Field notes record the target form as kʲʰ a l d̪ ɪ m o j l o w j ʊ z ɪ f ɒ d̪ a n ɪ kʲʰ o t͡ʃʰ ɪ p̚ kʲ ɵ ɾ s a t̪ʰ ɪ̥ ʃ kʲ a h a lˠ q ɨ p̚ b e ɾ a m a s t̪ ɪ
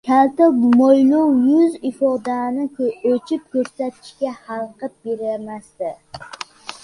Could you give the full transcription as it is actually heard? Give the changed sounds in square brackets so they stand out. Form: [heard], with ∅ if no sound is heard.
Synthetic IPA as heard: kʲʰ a l [t̪] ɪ m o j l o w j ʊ z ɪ f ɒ d̪ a n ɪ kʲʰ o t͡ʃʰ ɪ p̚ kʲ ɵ ɾ s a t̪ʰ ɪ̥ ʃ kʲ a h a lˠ q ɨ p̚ b e ɾ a m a s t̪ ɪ